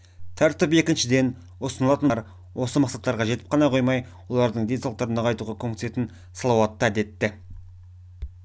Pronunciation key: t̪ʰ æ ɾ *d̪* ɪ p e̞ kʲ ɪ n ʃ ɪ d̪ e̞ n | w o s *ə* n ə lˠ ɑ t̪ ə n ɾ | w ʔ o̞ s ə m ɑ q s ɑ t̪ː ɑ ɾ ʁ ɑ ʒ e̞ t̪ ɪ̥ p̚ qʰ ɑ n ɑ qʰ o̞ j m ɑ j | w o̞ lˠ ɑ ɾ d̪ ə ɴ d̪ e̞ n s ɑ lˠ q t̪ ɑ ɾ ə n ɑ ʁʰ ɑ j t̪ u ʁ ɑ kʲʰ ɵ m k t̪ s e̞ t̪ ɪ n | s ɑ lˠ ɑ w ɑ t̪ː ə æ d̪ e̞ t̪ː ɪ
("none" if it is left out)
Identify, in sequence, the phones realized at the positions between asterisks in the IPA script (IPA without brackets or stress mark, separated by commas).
t̪, ə